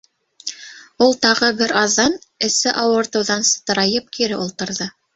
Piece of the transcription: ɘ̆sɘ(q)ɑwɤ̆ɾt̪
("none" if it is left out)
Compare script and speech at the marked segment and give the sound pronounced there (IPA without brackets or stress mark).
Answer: ʔ